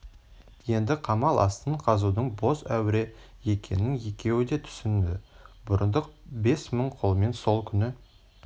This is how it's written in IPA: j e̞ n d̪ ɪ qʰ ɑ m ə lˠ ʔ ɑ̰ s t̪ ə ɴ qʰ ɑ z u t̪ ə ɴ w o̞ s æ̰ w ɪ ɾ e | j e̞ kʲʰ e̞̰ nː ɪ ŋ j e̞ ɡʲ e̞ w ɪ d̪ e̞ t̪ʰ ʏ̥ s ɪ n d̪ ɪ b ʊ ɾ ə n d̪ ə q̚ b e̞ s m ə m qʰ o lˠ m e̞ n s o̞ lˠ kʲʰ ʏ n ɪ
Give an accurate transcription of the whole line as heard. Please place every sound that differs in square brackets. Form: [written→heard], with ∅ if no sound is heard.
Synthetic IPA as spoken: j e̞ n d̪ ɪ qʰ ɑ m [ə→ɑ] lˠ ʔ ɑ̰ s t̪ ə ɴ qʰ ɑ z u [t̪→d̪] ə ɴ [w→b] o̞ s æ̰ w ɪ ɾ e | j e̞ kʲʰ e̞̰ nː ɪ ŋ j e̞ [ɡʲ→kʲ] e̞ w ɪ d̪ e̞ t̪ʰ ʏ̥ s ɪ n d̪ ɪ b ʊ ɾ ə n d̪ ə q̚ b e̞ s m ə [m→ɴ] qʰ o lˠ m e̞ n s o̞ lˠ kʲʰ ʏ n ɪ

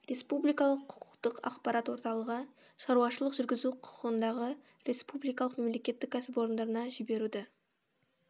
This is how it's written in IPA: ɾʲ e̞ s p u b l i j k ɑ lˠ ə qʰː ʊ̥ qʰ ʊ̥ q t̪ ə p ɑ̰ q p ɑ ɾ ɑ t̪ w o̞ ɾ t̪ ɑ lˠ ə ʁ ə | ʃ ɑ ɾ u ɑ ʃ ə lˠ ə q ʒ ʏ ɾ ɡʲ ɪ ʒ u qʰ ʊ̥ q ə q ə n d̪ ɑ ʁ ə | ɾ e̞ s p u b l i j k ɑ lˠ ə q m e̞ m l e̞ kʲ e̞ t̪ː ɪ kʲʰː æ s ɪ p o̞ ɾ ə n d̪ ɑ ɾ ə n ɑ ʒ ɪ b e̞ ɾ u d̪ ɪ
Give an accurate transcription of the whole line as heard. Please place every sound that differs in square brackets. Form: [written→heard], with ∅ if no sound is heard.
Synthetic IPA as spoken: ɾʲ e̞ s p u b l i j k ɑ lˠ ə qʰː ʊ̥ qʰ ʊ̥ q t̪ ə [p→q] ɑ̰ q p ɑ ɾ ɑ t̪ w o̞ ɾ t̪ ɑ lˠ ə ʁ ə | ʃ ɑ ɾ u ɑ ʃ ə lˠ ə q ʒ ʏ ɾ ɡʲ ɪ [ʒ→z] u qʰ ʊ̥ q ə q ə n d̪ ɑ ʁ ə | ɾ e̞ s p u b l i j k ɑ lˠ ə q m e̞ m l e̞ kʲ e̞ t̪ː ɪ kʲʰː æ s ɪ p o̞ ɾ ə n d̪ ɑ ɾ ə n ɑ ʒ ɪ b e̞ ɾ u d̪ ɪ

